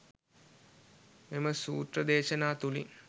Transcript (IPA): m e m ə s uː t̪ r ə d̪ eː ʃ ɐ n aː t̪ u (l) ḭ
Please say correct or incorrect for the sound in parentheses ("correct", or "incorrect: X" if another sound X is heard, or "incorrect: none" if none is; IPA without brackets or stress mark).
correct